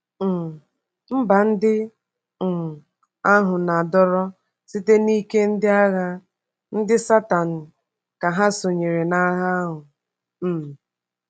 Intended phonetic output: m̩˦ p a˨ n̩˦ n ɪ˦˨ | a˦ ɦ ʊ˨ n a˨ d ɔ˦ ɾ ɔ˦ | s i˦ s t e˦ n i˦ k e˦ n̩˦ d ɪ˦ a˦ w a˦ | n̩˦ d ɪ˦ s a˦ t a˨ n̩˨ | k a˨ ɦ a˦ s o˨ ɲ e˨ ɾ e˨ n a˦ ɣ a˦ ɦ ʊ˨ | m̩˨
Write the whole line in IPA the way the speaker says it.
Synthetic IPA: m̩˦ b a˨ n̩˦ d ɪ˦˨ | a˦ ɦ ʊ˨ n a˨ d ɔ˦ ɾ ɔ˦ | s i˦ t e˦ n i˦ k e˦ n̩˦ d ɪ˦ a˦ ɣ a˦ | n̩˦ d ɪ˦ s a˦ t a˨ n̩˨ | k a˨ ɦ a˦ s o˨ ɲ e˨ ɾ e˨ n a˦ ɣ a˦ ɦ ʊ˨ | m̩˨

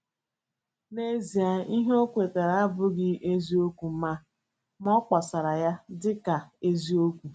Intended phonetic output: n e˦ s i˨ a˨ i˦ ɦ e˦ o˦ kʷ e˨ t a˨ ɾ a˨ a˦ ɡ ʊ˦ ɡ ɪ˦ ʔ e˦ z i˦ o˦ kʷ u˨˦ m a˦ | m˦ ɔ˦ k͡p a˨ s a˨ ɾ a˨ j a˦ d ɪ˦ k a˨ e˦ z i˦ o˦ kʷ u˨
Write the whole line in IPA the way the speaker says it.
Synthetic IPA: n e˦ z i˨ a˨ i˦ ɦ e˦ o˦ kʷ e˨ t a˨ ɾ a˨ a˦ b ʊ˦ ɡ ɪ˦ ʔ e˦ z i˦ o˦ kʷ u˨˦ m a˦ | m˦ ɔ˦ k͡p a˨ s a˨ ɾ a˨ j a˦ d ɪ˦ k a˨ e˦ z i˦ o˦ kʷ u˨

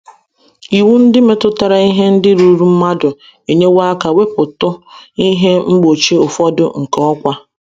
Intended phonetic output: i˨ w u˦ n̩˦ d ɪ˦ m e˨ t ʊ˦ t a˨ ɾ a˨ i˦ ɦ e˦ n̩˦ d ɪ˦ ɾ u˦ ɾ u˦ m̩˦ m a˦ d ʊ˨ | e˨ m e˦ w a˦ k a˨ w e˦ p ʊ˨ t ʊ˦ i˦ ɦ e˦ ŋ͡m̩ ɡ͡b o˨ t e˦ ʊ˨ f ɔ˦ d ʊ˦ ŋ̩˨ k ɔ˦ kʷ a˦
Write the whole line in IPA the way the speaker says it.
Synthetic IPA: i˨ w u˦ n̩˦ d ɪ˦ m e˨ t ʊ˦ t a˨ ɾ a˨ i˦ ɦ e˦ n̩˦ d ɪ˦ ɾ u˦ ɾ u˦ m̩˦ m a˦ d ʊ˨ | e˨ ɲ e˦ w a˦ k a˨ w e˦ p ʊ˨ t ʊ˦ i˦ ɦ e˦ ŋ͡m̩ ɡ͡b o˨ t͡ʃ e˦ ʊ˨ f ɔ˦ d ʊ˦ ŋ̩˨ k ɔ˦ kʷ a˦

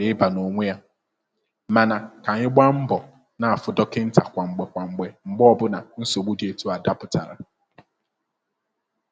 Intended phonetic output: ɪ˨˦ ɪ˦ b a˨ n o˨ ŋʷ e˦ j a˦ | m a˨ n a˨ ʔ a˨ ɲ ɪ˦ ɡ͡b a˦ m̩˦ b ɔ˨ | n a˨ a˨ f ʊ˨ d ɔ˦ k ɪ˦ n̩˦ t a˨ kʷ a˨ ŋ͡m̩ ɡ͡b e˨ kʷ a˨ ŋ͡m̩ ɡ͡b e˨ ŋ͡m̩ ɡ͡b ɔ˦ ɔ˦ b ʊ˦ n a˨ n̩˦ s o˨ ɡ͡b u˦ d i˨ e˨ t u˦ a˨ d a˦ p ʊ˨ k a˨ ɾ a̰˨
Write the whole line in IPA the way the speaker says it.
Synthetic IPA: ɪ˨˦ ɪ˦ b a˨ n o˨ ŋʷ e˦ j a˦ | m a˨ n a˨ k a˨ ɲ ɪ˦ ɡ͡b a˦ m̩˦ b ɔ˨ | n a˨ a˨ f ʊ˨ d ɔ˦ k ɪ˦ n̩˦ t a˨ kʷ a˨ ŋ͡m̩ ɡ͡b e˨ kʷ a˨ ŋ͡m̩ ɡ͡b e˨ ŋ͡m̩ ɡ͡b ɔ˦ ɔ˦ b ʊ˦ n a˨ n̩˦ s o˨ ɡ͡b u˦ d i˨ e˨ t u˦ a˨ d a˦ p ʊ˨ t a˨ ɾ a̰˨

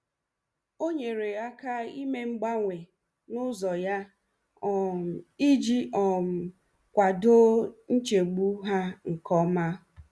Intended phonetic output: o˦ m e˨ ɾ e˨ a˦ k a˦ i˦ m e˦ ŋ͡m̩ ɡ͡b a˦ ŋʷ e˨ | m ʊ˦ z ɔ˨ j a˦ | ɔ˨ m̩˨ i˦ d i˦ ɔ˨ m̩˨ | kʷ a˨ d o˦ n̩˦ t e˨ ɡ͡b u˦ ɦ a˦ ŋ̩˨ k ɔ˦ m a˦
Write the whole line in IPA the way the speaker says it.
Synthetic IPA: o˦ ɲ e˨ ɾ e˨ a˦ k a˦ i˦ m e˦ ŋ͡m̩ ɡ͡b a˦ ŋʷ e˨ | n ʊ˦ z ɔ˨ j a˦ | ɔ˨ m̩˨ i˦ d͡ʒ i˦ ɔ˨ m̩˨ | kʷ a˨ d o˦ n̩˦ t͡ʃ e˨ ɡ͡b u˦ ɦ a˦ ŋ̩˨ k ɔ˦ m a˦

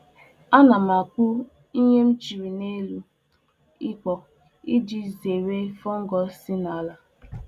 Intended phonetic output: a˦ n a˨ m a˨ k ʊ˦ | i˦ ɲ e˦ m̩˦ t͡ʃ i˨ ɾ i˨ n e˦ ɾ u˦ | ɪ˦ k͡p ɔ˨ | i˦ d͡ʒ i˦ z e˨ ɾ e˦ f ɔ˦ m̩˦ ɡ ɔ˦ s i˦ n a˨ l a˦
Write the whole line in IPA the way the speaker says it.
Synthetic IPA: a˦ n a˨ m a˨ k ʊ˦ | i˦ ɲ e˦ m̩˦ t͡ʃ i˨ ɾ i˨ n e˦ l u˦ | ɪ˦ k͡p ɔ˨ | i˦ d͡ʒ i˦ z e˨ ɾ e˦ f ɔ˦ ŋ̩˦ ɡ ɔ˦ s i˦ n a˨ l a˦

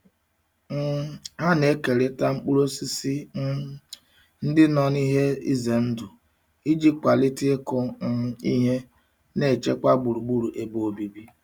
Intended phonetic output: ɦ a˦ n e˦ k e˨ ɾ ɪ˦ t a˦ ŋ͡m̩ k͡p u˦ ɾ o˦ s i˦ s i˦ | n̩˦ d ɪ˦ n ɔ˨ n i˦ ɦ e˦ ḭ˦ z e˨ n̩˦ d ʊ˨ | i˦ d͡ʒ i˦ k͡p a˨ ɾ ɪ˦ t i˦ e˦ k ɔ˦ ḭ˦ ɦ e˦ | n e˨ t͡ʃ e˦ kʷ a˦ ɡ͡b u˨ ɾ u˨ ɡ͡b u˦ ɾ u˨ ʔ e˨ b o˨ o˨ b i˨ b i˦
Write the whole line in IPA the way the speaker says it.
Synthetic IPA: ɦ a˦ n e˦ k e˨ ɾ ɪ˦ t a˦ ŋ͡m̩ k͡p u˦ ɾ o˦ s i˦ s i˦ | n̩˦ d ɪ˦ n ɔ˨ n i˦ ɦ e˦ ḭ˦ z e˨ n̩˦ d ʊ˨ | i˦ d͡ʒ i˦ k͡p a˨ l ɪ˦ t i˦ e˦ k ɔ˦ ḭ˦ ɦ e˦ | n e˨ t͡ʃ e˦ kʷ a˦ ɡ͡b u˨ ɾ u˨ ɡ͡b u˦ ɾ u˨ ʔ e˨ b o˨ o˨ b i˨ b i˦

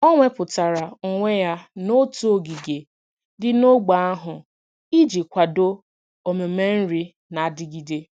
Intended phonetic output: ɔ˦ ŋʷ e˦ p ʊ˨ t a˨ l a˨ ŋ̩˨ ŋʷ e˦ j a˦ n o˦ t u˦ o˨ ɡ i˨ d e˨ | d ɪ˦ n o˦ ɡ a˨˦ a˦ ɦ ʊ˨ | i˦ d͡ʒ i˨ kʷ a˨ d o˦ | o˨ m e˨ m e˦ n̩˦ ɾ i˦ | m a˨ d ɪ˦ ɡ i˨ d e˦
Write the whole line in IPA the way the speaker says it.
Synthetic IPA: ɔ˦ ŋʷ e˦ p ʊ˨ t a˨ ɾ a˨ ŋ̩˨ ŋʷ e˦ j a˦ n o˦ t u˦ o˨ ɡ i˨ ɡ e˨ | d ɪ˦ n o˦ ɡ͡b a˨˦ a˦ ɦ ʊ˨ | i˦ d͡ʒ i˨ kʷ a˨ d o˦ | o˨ m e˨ m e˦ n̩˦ ɾ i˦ | n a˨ d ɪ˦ ɡ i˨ d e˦

